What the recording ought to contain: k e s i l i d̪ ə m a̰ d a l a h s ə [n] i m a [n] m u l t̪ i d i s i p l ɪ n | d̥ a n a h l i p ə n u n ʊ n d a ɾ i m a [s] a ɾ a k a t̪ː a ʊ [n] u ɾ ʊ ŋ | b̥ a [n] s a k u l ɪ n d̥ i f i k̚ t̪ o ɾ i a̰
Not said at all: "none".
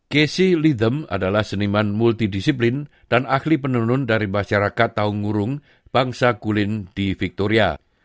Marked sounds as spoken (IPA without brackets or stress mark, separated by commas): n, n, ʃ, ŋ, ŋ